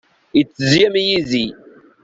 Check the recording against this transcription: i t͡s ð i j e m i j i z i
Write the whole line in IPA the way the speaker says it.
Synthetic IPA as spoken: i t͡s z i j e m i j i z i